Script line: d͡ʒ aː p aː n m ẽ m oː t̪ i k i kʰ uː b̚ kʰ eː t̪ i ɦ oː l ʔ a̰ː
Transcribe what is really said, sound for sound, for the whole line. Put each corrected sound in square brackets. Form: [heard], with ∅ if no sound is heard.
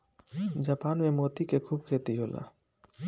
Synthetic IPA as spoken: d͡ʒ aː p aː n m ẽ m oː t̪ i k [e] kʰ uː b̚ kʰ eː t̪ i ɦ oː l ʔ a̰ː